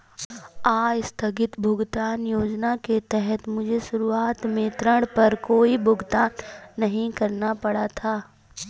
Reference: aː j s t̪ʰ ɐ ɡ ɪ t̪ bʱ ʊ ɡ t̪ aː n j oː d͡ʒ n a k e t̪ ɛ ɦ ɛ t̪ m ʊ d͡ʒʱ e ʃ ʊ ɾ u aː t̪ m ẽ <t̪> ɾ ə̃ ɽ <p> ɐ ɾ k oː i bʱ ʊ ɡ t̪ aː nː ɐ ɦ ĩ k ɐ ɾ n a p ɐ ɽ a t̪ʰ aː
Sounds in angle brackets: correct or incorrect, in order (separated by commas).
correct, correct